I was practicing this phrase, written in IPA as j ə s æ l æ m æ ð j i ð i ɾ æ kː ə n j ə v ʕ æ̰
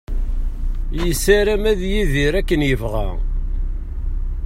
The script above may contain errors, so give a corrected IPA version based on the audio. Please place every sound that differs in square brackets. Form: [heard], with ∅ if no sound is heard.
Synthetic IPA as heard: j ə s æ [ɾ] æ m æ ð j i ð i ɾ æ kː ə n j ə v [ʁ] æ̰